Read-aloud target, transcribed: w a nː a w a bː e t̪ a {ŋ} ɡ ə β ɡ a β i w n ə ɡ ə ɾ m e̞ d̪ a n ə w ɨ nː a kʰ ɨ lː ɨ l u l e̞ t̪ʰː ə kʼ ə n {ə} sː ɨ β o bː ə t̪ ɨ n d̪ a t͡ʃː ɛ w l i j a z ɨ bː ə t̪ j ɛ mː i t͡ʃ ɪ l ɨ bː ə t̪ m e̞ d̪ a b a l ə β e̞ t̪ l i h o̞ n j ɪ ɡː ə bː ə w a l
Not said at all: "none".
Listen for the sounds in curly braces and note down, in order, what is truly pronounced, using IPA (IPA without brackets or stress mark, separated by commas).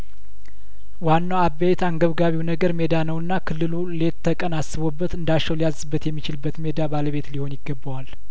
ŋ, a